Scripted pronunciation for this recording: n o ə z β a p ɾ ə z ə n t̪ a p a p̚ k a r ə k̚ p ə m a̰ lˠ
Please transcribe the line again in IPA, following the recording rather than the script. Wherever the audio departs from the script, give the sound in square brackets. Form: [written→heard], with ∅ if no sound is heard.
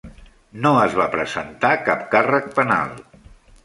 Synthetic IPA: n o ə z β a p ɾ ə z ə n t̪ a [p→k] a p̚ k a r ə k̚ p ə [m→n] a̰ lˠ